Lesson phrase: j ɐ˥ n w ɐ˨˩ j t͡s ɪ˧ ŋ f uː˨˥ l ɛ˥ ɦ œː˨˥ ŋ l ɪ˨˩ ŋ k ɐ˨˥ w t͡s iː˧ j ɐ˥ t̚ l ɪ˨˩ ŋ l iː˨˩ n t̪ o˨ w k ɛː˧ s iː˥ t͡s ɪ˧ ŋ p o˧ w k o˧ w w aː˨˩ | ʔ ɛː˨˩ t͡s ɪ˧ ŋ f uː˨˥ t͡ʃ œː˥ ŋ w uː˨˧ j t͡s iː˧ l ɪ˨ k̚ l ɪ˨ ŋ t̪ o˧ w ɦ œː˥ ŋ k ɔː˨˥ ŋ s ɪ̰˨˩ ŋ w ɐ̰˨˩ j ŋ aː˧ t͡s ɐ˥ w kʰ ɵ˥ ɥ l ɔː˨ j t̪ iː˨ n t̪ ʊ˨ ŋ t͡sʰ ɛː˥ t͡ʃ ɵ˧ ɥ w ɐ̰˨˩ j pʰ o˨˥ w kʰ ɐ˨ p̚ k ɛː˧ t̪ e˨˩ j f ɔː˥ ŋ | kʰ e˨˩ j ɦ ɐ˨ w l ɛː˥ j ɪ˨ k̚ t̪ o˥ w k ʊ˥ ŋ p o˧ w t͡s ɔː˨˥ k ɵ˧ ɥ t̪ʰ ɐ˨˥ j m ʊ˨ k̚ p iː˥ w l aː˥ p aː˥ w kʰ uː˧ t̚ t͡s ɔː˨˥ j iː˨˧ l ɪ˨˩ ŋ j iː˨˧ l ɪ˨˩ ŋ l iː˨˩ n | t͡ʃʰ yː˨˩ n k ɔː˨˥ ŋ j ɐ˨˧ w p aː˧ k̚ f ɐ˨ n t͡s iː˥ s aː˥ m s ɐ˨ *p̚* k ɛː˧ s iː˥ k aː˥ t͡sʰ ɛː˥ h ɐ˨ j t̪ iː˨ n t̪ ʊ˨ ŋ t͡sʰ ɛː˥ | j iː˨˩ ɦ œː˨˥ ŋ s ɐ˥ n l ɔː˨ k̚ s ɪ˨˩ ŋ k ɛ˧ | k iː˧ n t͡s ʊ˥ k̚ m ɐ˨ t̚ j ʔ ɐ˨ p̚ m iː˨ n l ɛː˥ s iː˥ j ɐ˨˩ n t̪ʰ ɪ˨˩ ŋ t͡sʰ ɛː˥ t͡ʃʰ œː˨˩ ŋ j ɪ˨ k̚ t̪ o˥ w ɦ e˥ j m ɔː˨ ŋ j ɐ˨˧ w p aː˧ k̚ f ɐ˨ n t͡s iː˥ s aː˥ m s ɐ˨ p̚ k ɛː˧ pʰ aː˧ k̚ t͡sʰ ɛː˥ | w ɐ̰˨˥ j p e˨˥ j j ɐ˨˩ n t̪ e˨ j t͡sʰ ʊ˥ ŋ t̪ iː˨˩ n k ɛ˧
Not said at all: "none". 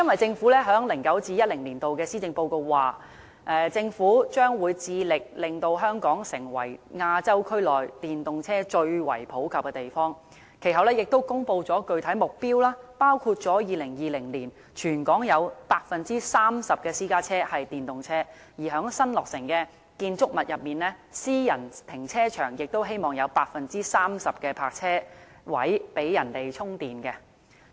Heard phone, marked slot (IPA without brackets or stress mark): p̚